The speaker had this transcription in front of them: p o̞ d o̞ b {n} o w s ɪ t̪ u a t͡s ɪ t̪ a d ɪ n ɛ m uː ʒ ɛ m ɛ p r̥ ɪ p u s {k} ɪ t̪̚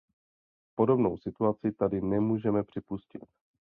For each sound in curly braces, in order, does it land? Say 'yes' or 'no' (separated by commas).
yes, no